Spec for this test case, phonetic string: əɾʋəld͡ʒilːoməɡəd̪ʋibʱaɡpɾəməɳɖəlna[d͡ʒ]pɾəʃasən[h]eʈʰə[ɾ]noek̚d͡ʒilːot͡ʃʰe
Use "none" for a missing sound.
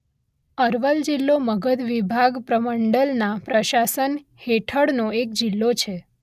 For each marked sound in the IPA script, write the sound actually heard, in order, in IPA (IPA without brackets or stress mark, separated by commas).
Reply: none, h, ɽ